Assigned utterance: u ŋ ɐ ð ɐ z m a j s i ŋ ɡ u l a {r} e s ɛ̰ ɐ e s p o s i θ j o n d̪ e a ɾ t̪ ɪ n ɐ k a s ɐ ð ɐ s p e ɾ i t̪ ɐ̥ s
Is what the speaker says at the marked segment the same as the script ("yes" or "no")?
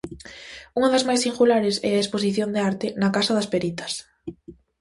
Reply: no